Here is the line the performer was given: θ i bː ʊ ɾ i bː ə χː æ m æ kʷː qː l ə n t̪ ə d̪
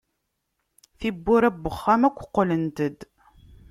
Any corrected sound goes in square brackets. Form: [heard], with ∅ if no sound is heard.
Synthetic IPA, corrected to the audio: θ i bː ʊ ɾ [æ] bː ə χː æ m æ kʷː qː l ə n t̪ ə d̪